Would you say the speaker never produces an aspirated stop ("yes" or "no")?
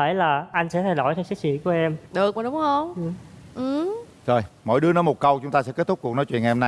no